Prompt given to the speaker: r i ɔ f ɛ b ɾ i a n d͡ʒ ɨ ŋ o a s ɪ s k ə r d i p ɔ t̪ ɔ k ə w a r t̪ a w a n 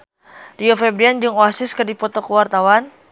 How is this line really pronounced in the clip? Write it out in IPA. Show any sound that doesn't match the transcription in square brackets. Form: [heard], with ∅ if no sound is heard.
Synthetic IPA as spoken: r i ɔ f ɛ b ɾ i a n d͡ʒ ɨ ŋ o a s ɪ s k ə r d i p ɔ t̪ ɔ k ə w a r t̪ a w a n

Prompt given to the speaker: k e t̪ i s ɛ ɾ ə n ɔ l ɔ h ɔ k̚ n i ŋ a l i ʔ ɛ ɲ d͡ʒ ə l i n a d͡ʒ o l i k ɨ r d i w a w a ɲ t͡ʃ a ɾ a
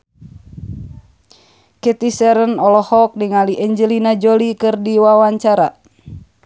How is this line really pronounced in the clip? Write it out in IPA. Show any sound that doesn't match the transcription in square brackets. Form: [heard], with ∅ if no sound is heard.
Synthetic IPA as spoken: k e t̪ i s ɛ ɾ ə n ɔ l ɔ h ɔ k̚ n i ŋ a l i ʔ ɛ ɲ d͡ʒ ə l i n a d͡ʒ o l i k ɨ r d i w a w a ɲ t͡ʃ a ɾ a

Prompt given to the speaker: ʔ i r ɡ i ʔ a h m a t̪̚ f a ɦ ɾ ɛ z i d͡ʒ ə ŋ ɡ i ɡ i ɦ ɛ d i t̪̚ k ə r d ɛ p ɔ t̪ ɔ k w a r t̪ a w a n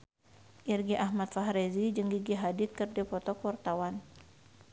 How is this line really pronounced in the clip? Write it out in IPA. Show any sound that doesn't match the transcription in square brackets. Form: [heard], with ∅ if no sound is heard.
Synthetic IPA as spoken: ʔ i r ɡ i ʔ a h m a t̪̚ f a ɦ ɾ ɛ z i d͡ʒ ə ŋ ɡ i ɡ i ɦ [a] d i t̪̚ k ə r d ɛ p ɔ t̪ ɔ k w a r t̪ a w a n

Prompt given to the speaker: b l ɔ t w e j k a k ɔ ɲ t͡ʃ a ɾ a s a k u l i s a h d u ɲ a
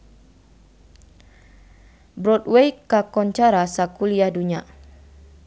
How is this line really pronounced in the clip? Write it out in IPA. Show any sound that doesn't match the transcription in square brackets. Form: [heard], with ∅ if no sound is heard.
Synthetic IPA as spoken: b [ɾ] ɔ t w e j k a k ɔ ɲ t͡ʃ a ɾ a s a k u l i [∅] a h d u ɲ a

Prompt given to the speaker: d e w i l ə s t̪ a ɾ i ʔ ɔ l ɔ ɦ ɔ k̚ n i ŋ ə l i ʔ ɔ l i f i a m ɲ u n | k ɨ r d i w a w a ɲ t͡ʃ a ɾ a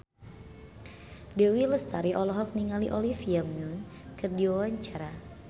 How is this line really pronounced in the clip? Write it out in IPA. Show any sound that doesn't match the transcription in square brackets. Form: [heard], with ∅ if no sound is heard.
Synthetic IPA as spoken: d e w i l ə s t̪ a ɾ i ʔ ɔ l ɔ ɦ ɔ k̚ n i ŋ [a] l i ʔ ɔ l i f i a m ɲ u n | k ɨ r d i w a w a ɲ t͡ʃ a ɾ a

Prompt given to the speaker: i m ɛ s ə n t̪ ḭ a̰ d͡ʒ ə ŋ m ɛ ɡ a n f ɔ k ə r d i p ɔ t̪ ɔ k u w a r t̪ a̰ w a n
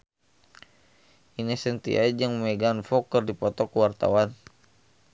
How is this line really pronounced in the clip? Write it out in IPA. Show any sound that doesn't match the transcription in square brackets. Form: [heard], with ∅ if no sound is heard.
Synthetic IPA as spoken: i [n] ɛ s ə n t̪ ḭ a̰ d͡ʒ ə ŋ m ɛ ɡ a n f ɔ k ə r d i p ɔ t̪ ɔ k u w a r t̪ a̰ w a n

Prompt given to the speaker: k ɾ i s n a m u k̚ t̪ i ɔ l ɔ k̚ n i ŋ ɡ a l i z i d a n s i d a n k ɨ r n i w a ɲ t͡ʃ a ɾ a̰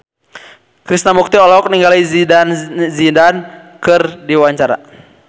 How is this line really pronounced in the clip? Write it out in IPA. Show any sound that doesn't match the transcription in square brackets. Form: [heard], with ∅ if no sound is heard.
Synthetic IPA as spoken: k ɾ i s n a m u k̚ t̪ i ɔ l ɔ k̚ n i ŋ ɡ a l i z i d a n [z] i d a n k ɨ r [d] i w a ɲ t͡ʃ a ɾ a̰

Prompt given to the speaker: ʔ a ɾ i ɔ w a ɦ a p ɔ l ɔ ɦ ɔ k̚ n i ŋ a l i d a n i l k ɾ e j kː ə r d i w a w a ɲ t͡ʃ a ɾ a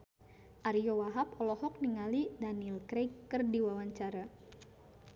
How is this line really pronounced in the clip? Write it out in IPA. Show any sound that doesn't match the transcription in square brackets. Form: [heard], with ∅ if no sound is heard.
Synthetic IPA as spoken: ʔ a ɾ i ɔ w a ɦ a p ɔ l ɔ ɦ ɔ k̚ n i ŋ a l i d a n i l k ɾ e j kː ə r d i w a w a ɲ t͡ʃ a ɾ a

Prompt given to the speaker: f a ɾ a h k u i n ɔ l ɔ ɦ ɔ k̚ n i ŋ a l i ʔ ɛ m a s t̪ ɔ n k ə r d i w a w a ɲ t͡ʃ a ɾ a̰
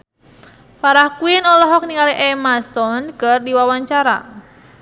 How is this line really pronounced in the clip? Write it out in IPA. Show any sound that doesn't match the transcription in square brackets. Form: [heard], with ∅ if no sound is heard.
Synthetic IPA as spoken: f a ɾ a h k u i n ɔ l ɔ ɦ ɔ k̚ n i ŋ a l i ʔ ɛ m a s t̪ ɔ n k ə r d i w a w a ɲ t͡ʃ a ɾ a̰

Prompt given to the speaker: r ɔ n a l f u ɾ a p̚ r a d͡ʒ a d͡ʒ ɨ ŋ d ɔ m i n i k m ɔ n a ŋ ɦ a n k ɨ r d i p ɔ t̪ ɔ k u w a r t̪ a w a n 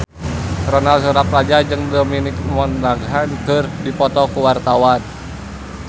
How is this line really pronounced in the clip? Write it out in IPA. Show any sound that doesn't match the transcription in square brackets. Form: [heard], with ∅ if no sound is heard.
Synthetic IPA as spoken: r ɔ n a l [s] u ɾ a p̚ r a d͡ʒ a d͡ʒ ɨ ŋ d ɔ m i n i k m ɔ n a [ɡ] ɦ a n k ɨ r d i p ɔ t̪ ɔ k u w a r t̪ a w a n

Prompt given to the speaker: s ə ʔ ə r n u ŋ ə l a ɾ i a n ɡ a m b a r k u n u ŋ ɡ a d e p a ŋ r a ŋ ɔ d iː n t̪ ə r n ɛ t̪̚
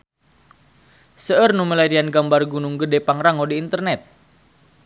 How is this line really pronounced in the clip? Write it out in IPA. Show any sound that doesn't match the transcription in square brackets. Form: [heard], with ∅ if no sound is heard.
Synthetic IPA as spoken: s ə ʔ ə r n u [m] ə l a ɾ i a n ɡ a m b a r [ɡ] u n u ŋ ɡ [ə] d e p a ŋ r a ŋ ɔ d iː n t̪ ə r n ɛ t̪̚

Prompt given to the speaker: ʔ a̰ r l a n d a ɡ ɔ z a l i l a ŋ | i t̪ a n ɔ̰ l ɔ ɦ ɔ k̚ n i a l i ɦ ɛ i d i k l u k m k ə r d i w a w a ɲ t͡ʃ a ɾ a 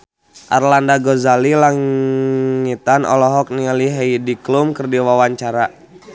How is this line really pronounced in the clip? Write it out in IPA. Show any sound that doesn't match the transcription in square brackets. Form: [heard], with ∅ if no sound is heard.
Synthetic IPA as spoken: ʔ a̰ r l a n d a ɡ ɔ z a l i l a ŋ | i t̪ a n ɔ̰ l ɔ ɦ ɔ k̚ n i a l i ɦ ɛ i d i k l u [∅] m k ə r d i w a w a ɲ t͡ʃ a ɾ a

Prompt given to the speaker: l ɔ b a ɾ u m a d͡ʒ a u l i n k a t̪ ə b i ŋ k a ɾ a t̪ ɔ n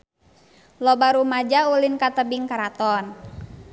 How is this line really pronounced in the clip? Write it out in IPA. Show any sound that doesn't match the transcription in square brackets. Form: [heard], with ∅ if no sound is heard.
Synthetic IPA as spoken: l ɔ b a ɾ u m a d͡ʒ a u l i n k a t̪ ə b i ŋ k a ɾ a t̪ ɔ n

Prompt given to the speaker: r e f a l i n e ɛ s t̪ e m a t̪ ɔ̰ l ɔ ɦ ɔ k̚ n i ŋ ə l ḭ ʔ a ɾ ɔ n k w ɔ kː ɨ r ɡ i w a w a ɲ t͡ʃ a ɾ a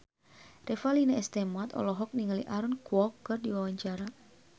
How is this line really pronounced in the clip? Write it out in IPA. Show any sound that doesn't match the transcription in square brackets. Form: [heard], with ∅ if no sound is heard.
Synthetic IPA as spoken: r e f a l i n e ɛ s t̪ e m a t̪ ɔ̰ l ɔ ɦ ɔ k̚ n i ŋ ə l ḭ ʔ a ɾ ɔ n k w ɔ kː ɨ r [d] i w a w a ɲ t͡ʃ a ɾ a

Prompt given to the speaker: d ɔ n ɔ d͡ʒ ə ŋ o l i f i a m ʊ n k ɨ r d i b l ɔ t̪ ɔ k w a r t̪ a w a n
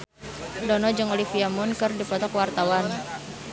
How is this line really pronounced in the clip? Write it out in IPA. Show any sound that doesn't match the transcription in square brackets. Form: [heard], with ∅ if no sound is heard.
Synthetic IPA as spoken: d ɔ n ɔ d͡ʒ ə ŋ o l i f i a m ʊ n k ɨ r d i [p] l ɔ t̪ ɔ k w a r t̪ a w a n

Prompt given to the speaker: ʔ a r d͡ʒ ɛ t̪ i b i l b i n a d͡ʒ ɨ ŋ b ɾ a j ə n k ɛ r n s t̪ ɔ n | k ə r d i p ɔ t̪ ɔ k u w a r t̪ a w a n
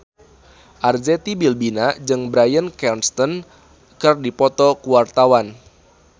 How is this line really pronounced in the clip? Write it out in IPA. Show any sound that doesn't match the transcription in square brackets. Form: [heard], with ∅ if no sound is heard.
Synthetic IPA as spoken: ʔ a r d͡ʒ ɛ t̪ i b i l b i n a d͡ʒ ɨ ŋ b ɾ a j ə n k ɛ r n s t̪ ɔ n | k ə r d i p ɔ t̪ ɔ k u w a r t̪ a w a n

